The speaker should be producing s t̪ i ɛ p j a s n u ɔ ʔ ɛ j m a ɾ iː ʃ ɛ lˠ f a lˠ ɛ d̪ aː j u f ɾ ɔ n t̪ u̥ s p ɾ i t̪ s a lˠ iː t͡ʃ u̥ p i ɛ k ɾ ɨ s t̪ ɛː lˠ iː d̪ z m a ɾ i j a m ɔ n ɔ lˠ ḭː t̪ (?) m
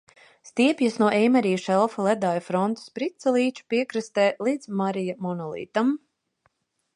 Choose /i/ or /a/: a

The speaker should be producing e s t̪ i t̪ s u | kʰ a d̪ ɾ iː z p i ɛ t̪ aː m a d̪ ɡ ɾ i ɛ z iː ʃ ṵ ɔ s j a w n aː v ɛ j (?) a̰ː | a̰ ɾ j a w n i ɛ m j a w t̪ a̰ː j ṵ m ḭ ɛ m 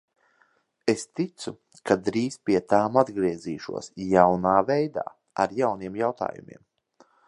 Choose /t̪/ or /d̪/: d̪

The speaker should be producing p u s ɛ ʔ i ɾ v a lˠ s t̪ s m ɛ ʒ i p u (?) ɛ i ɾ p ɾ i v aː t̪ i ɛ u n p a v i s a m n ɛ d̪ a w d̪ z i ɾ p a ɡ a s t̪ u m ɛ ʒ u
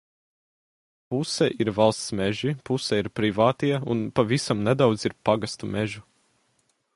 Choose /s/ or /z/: s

